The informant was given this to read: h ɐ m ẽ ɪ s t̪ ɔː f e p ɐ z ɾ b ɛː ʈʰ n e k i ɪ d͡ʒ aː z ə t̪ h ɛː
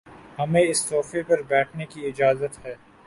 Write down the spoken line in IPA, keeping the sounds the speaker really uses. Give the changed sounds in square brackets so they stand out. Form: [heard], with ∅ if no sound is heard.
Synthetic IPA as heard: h ɐ m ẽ ɪ s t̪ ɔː f e p ɐ [∅] ɾ b ɛː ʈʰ n e k i ɪ d͡ʒ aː z ə t̪ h ɛː

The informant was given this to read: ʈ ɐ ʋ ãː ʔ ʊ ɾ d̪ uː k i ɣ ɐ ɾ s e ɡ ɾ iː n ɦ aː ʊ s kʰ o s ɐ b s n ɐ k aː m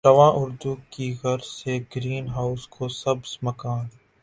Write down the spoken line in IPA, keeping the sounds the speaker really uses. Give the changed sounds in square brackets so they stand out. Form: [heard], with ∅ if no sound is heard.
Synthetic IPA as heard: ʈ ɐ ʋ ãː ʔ ʊ ɾ d̪ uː k i ɣ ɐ ɾ s e ɡ ɾ iː n ɦ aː ʊ s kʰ o s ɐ b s [m] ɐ k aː [n]

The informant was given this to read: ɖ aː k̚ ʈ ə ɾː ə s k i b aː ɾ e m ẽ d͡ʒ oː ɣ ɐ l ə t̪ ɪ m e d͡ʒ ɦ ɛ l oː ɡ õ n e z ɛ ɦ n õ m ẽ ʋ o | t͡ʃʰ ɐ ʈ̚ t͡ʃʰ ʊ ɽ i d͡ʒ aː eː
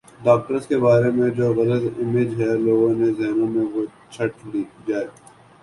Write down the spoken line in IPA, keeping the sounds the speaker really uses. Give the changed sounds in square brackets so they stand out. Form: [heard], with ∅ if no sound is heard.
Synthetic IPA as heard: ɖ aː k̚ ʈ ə [ɾ] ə s k [e] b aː ɾ e m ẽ d͡ʒ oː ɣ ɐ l ə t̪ ɪ m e d͡ʒ ɦ ɛ l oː ɡ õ n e z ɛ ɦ n õ m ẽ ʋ o | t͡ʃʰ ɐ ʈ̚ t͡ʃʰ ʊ ɽ i d͡ʒ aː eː

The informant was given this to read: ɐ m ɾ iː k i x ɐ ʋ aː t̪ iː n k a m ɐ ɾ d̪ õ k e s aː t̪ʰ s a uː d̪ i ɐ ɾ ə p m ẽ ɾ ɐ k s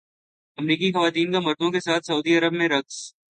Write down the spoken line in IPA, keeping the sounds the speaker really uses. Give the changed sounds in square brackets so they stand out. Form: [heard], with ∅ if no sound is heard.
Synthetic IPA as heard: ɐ m ɾ iː k i x ɐ ʋ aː t̪ iː n k a m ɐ ɾ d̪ õ k e s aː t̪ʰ s [ɐ] uː d̪ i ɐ ɾ ə [b] m ẽ ɾ ɐ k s

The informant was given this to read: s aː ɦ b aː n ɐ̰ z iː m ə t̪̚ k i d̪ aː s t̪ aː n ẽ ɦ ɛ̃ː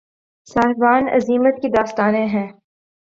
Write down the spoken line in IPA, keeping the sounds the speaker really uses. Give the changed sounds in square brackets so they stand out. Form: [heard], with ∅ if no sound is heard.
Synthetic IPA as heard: s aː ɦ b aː n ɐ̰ z iː m ə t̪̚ k i d̪ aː s t̪ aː n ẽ ɦ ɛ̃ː

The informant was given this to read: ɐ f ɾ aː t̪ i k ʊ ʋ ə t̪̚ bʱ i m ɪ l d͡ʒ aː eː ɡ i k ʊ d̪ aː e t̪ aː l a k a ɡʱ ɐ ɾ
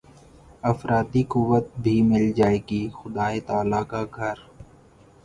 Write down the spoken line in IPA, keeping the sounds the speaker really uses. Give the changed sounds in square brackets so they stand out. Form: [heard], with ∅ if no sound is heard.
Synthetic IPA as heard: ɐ f ɾ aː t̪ i k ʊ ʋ ə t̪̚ bʱ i m ɪ l d͡ʒ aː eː ɡ i [x] ʊ d̪ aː e t̪ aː l a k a ɡʱ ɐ ɾ

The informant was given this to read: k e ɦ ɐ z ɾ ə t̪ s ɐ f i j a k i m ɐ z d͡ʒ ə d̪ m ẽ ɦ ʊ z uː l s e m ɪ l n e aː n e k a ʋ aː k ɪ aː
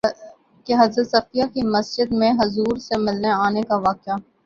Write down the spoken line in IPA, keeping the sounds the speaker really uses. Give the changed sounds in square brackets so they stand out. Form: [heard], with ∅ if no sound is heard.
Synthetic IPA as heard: k e ɦ ɐ z ɾ ə t̪ s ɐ f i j a k i m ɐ [s] d͡ʒ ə d̪ m ẽ ɦ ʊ z uː [ɾ] s e m ɪ l n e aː n e k a ʋ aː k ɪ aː

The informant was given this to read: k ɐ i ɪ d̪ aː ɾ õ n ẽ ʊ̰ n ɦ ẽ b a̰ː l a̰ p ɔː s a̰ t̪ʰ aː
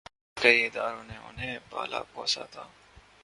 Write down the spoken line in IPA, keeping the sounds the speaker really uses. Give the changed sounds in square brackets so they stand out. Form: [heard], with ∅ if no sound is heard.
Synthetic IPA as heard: k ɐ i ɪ d̪ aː ɾ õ n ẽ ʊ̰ n ɦ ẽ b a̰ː l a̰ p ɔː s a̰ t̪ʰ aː

